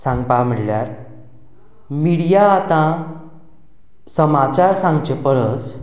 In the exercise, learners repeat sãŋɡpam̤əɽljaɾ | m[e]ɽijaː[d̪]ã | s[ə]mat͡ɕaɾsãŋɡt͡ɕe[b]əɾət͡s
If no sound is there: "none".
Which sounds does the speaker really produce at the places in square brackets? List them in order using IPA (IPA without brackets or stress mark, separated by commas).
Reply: i, t̪, ə, p